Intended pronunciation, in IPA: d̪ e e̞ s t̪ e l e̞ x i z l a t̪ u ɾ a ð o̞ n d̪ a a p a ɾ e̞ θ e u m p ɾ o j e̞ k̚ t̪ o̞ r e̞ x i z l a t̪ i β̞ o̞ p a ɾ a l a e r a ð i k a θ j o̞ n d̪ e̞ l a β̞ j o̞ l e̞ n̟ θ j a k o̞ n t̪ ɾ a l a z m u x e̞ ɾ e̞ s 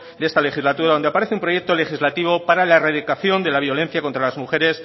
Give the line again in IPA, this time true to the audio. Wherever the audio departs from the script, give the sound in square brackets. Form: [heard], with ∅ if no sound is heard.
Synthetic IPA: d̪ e e̞ s t̪ [a] l e̞ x i z l a t̪ u ɾ a ð o̞ n d̪ [e] a p a ɾ e̞ θ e u m p ɾ o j e̞ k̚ t̪ o̞ [l] e̞ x i z l a t̪ i β̞ o̞ p a ɾ a l a e r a ð i k a θ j o̞ n d̪ e̞ l a β̞ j o̞ l e̞ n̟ θ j a k o̞ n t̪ ɾ a l a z m u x e̞ ɾ e̞ s